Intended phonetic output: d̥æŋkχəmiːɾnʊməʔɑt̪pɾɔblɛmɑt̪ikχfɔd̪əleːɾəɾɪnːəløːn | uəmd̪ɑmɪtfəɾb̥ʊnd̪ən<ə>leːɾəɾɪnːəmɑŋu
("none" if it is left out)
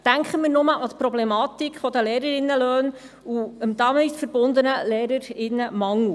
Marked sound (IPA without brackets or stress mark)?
ə